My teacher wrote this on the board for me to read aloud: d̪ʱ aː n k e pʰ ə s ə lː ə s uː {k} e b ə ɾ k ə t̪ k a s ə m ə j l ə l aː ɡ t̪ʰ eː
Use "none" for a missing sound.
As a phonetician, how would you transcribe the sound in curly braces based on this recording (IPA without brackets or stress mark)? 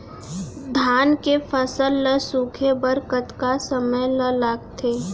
kʰ